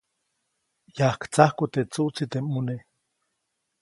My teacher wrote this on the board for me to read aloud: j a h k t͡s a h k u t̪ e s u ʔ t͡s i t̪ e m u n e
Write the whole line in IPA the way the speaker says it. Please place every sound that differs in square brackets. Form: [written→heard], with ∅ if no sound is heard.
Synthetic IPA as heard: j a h k t͡s a h k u t̪ e [s→t͡s] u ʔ t͡s i t̪ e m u n e